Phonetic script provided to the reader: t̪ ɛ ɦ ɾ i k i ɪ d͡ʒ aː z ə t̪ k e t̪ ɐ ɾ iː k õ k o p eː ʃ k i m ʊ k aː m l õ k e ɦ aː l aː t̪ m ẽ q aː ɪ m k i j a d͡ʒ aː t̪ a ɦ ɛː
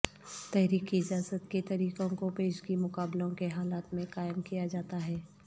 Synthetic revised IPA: t̪ ɛ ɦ ɾ iː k i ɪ d͡ʒ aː z ə t̪ k e t̪ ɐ ɾ iː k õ k o p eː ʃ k i m ʊ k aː b l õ k e ɦ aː l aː t̪ m ẽ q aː ɪ m k i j a d͡ʒ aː t̪ a ɦ ɛː